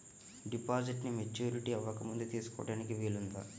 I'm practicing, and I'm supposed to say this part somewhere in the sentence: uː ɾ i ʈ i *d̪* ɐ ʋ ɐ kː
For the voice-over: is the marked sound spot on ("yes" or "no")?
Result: no